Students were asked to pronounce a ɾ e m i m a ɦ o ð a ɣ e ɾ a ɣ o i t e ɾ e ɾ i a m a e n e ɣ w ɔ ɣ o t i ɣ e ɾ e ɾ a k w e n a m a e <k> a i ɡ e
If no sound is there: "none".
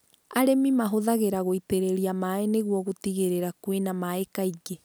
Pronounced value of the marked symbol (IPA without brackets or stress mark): k